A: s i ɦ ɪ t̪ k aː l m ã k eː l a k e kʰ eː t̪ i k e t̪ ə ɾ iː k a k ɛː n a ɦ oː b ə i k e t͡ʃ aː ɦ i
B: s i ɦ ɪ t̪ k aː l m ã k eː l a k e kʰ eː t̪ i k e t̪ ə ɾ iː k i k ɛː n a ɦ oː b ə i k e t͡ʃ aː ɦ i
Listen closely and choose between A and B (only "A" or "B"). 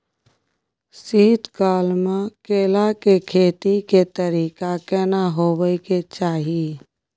A